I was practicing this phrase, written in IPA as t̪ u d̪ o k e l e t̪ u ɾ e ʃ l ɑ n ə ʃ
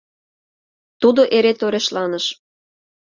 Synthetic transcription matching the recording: t̪ u d̪ o ʔ e ɾ e t̪ o ɾ e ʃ l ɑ n ə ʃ